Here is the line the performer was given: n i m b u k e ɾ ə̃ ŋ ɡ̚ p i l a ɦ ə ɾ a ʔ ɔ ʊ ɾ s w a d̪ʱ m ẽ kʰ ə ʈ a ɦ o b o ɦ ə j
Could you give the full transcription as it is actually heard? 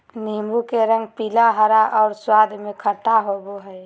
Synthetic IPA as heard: n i m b u k e ɾ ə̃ ŋ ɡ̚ p i l a ɦ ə ɾ a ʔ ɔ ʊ ɾ s w a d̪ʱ m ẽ kʰ ə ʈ a ɦ o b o ɦ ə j